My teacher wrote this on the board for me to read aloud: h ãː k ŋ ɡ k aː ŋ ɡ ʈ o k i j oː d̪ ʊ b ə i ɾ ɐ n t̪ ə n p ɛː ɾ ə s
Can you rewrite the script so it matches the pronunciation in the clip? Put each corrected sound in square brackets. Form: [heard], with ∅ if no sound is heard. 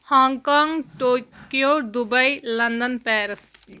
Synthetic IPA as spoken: h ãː [∅] ŋ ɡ k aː ŋ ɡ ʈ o k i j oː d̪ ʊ b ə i [l] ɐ n [d̪] ə n p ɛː ɾ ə s